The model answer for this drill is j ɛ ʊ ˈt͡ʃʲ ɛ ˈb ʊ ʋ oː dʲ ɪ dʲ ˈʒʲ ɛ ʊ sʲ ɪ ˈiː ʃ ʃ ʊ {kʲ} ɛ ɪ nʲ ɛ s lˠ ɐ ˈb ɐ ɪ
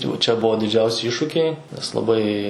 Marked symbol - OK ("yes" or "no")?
yes